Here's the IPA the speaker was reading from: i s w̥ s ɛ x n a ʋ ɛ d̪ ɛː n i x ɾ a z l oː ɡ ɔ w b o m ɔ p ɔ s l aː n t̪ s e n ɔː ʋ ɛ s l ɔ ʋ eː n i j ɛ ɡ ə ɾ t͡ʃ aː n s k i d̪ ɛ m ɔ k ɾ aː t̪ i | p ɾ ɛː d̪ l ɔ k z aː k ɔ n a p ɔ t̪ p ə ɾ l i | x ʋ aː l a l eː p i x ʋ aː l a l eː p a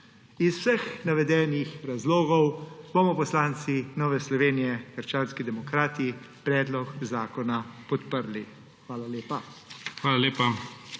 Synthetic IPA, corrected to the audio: i s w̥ s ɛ x n a ʋ ɛ d̪ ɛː n i x ɾ a z l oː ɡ ɔ w b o m ɔ p ɔ s l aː n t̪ s i n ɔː ʋ ɛ s l ɔ ʋ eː n i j ɛ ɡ ə ɾ t͡ʃ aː n s k i d̪ ɛ m ɔ k ɾ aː t̪ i | p ɾ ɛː d̪ l ɔ k z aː k ɔ n a p ɔ t̪ p ə ɾ l i | x ʋ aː l a l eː p a x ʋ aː l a l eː p a

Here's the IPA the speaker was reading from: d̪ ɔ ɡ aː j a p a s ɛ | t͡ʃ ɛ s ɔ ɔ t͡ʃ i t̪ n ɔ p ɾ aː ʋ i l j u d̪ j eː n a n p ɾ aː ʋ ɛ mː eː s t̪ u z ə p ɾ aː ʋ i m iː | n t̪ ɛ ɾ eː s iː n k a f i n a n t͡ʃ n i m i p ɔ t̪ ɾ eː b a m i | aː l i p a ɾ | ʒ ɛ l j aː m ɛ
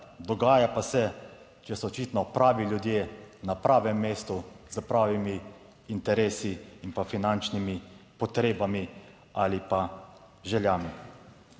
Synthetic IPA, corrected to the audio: d̪ ɔ ɡ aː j a p a s ɛ | t͡ʃ ɛ s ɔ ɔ t͡ʃ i t̪ n ɔ p ɾ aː ʋ i l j u d̪ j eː n a p ɾ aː ʋ ɛ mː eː s t̪ u z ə p ɾ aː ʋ i m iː | n t̪ ɛ ɾ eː s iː n p a f i n a n t͡ʃ n i m i p ɔ t̪ ɾ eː b a m i | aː l i p a | ʒ ɛ l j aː m i

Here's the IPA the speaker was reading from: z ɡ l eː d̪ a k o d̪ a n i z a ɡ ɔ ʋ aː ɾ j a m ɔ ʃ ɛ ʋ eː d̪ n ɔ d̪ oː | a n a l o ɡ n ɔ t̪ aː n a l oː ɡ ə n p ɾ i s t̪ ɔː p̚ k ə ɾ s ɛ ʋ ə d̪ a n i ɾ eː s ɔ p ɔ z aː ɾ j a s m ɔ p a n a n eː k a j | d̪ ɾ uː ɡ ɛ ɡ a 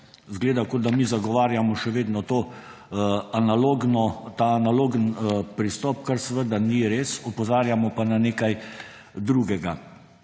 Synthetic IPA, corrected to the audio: z ɡ l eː d̪ a k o d̪ a m i z a ɡ ɔ ʋ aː ɾ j a m ɔ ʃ ɛ ʋ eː d̪ n ɔ t̪ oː | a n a l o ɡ n ɔ t̪ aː n a l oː ɡ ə n p ɾ i s t̪ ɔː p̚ k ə ɾ s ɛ ʋ ə d̪ a n i ɾ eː s ɔ p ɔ z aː ɾ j a m ɔ p a n a n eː k a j | d̪ ɾ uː ɡ ɛ ɡ a

